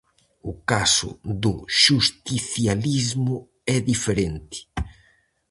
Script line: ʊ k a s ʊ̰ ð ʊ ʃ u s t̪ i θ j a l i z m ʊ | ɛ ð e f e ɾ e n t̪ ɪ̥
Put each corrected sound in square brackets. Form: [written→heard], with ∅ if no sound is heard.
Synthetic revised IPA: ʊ k a s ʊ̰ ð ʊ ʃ u s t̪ i θ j a l i z m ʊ | ɛ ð [e→i] f e ɾ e n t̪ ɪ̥